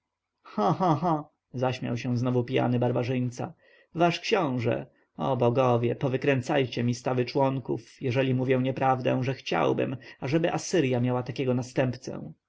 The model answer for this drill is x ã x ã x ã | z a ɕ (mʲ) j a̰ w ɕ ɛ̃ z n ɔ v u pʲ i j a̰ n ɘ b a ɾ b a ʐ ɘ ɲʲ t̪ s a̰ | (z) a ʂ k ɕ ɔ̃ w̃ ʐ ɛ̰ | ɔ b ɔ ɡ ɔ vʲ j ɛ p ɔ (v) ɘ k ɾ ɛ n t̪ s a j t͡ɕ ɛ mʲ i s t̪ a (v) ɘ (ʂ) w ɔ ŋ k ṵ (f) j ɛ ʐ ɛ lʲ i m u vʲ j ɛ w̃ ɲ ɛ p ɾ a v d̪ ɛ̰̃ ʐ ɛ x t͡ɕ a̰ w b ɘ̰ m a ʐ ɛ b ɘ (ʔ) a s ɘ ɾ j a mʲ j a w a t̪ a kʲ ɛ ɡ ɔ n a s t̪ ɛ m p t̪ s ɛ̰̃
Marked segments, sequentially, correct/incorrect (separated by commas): correct, incorrect, correct, correct, incorrect, correct, correct